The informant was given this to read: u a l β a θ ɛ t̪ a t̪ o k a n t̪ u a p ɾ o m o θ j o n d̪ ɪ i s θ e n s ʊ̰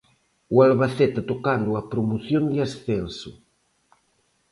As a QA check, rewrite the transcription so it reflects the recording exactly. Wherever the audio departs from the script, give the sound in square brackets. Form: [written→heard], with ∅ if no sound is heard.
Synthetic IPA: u a l β a θ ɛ t̪ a t̪ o k a n [t̪→d̪] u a p ɾ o m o θ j o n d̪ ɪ [i→a] s θ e n s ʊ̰